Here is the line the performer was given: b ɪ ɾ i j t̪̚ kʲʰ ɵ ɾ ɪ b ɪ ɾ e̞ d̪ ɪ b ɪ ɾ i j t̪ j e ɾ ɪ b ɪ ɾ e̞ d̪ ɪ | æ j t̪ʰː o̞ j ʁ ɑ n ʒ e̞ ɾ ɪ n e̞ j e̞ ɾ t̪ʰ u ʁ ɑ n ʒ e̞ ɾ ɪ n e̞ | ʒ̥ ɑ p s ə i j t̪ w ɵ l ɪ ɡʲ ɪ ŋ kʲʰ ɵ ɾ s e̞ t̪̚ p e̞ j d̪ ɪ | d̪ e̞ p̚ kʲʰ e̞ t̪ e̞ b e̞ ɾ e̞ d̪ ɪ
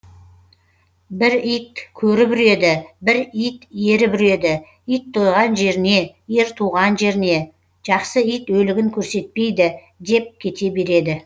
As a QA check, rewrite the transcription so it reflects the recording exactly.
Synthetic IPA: b ɪ ɾ i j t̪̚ kʲʰ ɵ ɾ ɪ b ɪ ɾ e̞ d̪ ɪ b ɪ ɾ i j t̪ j e ɾ ɪ b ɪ ɾ e̞ d̪ ɪ | i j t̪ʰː o̞ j ʁ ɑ n ʒ e̞ ɾ ɪ n e̞ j e̞ ɾ t̪ʰ u ʁ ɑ n ʒ e̞ ɾ ɪ n e̞ | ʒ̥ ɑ q s ə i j t̪ w ɵ l ɪ ɡʲ ɪ ŋ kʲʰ ɵ ɾ s e̞ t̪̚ p e̞ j d̪ ɪ | d̪ e̞ p̚ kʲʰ e̞ t̪ e̞ b e̞ ɾ e̞ d̪ ɪ